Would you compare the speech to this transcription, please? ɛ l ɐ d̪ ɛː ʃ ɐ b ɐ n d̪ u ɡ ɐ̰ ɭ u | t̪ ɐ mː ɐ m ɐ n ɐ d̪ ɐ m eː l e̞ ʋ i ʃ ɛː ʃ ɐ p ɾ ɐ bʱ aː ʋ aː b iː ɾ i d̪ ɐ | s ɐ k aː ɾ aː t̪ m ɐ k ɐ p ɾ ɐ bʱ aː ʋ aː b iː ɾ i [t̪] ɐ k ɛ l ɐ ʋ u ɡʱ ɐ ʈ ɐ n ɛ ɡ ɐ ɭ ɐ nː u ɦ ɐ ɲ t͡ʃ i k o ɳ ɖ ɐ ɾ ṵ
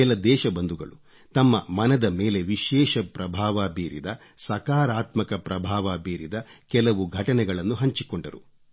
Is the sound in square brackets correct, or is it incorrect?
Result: incorrect